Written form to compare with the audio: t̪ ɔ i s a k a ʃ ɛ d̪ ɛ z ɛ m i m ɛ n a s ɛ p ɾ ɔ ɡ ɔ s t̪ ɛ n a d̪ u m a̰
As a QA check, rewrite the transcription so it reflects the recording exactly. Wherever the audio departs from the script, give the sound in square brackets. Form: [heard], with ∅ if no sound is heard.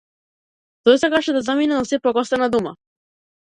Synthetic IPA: t̪ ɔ [j] s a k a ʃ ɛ d̪ [a] z [a] m i [n] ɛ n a s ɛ p ɾ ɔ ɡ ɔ s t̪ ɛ n a d̪ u m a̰